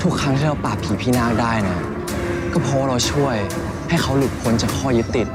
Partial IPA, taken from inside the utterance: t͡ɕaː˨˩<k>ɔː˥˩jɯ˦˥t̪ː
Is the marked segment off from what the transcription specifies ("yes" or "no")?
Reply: yes